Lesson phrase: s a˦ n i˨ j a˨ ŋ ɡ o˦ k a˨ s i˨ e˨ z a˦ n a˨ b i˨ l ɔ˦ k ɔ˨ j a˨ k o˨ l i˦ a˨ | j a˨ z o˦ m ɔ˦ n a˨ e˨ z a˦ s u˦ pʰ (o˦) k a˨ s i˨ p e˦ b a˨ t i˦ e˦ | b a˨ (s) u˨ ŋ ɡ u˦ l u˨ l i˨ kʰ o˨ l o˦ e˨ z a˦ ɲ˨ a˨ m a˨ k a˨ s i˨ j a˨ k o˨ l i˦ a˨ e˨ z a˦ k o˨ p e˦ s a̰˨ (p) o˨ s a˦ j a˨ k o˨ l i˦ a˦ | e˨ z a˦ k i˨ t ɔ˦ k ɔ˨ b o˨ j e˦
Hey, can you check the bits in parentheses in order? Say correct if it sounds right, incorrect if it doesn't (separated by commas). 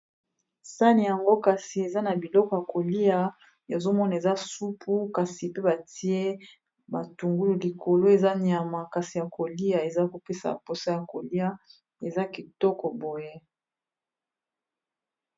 incorrect, incorrect, correct